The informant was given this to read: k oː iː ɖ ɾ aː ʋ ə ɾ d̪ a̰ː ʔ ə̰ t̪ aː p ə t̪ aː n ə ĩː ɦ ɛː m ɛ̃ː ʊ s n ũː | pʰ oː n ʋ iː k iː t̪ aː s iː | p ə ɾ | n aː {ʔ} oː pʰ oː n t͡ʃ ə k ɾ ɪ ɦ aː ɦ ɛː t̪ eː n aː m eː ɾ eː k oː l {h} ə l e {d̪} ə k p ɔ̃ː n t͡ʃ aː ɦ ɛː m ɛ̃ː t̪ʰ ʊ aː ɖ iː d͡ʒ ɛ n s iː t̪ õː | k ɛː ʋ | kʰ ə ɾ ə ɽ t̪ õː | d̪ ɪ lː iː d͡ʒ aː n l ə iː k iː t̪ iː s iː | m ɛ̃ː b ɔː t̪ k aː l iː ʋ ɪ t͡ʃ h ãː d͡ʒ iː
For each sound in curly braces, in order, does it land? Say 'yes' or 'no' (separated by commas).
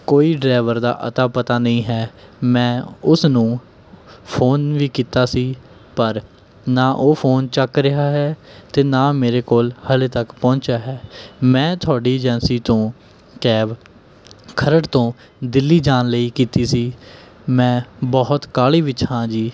yes, yes, no